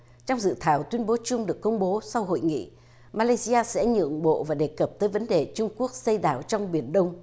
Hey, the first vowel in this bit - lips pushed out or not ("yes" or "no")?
yes